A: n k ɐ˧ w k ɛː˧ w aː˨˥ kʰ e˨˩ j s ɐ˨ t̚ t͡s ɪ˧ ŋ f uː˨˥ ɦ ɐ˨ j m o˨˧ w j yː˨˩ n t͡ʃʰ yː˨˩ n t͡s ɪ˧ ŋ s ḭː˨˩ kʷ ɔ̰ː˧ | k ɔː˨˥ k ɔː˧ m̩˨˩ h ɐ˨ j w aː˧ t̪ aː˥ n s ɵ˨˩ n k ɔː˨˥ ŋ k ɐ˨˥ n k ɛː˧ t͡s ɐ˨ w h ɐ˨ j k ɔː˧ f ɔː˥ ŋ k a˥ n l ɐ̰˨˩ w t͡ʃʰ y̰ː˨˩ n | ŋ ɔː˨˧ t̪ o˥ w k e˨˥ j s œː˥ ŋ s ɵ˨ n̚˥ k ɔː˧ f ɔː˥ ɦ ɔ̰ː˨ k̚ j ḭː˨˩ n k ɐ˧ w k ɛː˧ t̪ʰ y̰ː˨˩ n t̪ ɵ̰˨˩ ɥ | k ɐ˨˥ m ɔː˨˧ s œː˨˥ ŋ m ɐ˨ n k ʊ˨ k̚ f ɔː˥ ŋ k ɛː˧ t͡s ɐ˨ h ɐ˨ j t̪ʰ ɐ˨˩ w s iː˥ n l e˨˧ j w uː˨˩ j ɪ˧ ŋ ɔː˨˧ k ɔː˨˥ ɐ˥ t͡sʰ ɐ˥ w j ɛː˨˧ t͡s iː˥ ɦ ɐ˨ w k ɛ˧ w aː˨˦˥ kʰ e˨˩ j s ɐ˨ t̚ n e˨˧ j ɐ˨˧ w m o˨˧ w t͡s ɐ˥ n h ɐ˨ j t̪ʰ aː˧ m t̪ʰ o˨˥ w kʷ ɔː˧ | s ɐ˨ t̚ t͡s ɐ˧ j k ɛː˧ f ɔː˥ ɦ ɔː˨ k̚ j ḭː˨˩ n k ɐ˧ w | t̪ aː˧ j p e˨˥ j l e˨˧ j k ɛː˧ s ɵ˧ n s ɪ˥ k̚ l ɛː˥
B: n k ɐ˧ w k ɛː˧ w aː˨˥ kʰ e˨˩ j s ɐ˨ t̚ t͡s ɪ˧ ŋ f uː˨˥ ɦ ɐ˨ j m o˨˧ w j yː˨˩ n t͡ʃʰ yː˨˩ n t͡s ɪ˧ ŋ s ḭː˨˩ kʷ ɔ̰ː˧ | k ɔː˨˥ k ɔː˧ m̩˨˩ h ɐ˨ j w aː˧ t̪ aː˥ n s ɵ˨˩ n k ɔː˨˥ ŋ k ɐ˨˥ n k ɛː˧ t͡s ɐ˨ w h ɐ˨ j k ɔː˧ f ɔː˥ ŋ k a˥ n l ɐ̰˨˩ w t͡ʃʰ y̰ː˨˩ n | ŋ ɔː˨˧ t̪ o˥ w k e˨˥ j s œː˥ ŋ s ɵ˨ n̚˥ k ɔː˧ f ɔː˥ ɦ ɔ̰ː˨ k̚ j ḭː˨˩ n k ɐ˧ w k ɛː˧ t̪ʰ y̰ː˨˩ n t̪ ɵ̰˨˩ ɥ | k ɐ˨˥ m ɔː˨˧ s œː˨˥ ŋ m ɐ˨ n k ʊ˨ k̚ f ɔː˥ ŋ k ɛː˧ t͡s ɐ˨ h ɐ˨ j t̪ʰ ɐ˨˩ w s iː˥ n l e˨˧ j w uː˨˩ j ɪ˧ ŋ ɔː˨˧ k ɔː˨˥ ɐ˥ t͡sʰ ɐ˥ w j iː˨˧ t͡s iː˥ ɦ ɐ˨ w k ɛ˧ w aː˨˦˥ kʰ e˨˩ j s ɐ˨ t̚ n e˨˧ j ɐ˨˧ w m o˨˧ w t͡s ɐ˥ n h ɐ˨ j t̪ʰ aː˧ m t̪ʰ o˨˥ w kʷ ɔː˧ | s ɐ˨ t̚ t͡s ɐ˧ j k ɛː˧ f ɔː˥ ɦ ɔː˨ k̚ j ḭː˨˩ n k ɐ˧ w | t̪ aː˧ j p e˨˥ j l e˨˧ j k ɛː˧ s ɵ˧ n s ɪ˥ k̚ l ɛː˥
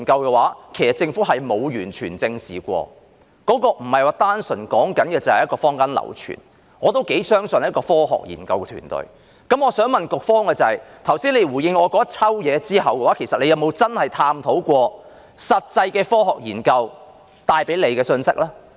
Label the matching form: A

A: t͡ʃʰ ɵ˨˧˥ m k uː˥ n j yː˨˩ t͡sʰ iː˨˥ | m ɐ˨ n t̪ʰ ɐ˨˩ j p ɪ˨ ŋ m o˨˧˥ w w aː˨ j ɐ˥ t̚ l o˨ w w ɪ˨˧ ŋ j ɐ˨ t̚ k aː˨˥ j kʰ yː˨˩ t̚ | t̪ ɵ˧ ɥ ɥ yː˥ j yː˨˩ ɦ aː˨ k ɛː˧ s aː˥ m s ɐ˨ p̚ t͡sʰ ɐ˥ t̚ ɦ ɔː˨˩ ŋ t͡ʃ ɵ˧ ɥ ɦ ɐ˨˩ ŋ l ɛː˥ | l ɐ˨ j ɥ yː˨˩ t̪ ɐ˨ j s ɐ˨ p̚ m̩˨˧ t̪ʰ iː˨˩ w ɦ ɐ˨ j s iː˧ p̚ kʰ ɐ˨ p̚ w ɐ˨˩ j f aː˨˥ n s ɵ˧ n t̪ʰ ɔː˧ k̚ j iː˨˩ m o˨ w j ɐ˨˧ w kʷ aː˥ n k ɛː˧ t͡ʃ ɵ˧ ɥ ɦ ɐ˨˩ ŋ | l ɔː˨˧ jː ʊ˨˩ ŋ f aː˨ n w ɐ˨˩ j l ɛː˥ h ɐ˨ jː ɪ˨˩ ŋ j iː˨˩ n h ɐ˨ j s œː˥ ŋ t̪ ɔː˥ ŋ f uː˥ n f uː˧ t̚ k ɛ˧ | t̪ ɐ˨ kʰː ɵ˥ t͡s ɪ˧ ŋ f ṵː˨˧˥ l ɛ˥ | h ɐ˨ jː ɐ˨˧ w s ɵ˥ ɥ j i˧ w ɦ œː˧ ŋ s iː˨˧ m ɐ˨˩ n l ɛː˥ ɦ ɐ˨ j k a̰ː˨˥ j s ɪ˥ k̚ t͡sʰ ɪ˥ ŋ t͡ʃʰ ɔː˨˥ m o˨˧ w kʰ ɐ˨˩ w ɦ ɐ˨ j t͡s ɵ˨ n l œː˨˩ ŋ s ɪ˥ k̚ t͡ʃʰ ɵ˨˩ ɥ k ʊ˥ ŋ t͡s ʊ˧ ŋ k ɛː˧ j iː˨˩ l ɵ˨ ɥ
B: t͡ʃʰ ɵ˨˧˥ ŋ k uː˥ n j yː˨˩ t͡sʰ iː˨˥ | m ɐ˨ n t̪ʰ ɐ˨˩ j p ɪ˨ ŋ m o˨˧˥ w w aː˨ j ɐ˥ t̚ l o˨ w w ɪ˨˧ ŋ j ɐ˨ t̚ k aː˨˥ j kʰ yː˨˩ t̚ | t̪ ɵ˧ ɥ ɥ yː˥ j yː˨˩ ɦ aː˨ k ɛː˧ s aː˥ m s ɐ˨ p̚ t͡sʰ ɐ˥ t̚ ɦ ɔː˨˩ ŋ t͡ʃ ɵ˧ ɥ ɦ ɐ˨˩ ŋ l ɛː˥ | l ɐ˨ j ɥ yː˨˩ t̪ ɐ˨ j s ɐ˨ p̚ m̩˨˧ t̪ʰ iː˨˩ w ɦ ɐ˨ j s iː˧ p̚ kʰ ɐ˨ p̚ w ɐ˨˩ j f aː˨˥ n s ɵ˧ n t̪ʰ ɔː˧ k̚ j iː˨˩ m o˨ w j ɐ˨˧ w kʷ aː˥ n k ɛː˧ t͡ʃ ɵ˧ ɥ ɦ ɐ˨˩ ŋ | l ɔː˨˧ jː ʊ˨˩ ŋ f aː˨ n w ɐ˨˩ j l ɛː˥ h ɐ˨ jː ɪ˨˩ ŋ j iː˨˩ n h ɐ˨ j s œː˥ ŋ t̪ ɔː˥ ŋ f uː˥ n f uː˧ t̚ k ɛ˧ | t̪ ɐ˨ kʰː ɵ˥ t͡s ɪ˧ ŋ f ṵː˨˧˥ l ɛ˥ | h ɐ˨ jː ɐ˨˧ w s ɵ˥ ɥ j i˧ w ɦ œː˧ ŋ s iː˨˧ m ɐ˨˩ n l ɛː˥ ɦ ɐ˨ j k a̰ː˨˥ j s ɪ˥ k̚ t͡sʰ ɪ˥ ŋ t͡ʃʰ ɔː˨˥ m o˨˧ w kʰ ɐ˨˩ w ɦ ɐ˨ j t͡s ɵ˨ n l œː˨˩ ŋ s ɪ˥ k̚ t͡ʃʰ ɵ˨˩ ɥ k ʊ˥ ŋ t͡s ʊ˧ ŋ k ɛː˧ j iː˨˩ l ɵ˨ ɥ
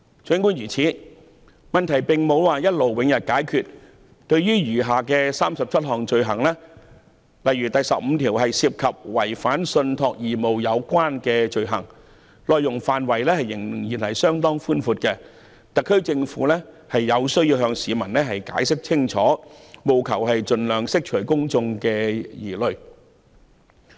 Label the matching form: B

